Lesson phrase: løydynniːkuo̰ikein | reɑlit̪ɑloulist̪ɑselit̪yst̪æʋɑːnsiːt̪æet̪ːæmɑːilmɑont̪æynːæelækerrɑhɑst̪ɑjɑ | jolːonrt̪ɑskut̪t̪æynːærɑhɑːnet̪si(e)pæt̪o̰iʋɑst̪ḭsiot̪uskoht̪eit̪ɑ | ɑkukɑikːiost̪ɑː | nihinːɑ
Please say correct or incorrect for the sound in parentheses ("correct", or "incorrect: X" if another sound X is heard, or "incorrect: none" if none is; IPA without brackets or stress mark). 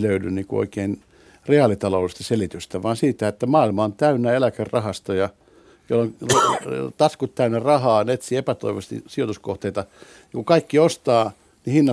correct